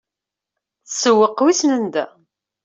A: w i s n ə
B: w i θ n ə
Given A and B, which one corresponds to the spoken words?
A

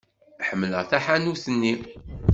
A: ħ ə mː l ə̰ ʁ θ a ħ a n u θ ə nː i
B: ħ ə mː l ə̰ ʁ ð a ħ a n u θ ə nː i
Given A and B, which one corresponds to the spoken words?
A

